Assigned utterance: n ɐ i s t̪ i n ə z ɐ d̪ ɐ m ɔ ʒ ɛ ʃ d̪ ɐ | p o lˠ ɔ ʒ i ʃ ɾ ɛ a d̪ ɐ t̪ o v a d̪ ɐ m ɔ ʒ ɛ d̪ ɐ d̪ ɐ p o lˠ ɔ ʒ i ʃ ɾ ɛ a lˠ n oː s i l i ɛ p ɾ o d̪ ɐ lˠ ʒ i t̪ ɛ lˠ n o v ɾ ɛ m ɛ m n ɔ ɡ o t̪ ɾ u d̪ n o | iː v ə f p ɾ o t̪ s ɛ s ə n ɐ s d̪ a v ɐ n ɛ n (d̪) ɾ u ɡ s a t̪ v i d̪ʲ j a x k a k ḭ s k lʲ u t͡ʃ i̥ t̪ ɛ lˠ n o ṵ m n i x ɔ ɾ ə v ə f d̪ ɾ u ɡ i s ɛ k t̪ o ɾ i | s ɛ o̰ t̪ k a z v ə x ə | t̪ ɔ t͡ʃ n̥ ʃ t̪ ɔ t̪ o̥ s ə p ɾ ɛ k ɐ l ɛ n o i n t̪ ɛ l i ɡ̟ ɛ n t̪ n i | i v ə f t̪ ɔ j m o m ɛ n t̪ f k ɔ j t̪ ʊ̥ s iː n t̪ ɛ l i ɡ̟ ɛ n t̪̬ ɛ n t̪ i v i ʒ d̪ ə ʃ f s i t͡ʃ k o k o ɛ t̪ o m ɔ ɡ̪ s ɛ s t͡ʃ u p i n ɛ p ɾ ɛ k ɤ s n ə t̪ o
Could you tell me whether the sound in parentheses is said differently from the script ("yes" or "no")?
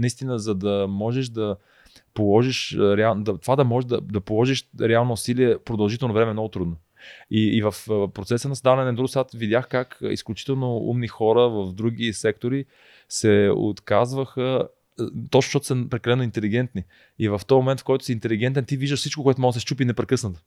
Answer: no